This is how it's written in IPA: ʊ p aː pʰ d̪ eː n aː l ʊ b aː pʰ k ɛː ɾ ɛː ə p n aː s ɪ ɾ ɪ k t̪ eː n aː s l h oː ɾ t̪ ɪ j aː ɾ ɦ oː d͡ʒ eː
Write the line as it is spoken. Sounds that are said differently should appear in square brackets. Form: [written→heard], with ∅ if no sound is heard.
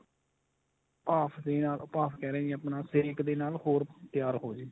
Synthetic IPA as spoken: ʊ p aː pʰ d̪ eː n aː l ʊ [b→p] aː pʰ k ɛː ɾ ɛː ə p n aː s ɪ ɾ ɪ k [t̪→d̪] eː n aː [s→∅] l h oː ɾ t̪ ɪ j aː ɾ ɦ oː d͡ʒ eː